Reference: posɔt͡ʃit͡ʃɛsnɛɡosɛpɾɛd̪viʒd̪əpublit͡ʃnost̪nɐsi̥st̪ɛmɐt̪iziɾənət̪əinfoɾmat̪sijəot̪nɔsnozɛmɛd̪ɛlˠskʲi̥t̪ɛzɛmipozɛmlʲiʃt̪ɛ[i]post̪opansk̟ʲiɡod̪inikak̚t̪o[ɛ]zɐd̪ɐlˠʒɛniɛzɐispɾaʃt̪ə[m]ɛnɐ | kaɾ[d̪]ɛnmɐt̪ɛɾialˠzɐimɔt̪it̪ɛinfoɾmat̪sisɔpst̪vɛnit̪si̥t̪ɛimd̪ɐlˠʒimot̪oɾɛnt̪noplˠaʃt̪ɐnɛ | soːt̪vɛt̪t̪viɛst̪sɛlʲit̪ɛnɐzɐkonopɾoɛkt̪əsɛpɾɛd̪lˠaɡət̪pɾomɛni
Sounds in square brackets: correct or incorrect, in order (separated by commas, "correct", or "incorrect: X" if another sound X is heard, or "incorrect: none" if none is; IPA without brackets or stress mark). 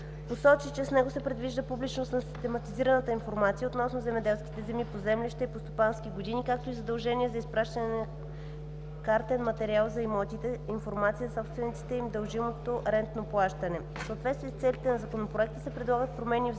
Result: correct, incorrect: i, incorrect: n, incorrect: t̪